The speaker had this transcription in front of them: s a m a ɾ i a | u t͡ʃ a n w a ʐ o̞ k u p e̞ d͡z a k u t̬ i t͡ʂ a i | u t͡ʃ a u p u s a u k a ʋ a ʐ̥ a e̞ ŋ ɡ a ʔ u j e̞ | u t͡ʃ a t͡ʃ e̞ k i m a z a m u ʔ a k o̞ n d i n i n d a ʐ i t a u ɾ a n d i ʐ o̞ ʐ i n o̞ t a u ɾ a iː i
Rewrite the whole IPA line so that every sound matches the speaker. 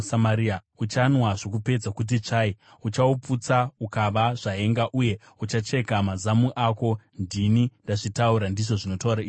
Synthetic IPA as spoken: s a m a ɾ i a | u t͡ʃ a n w a ʐ o̞ k u p e̞ d͡z a k u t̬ i t͡ʂ a i | u t͡ʃ a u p u t͡s a u k a ʋ a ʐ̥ a e̞ ŋ ɡ a ʔ u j e̞ | u t͡ʃ a t͡ʃ e̞ k a m a z a m u ʔ a k o̞ n d i n i n d a ʐ i t a u ɾ a n d i ʐ o̞ ʐ i n o̞ t a u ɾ a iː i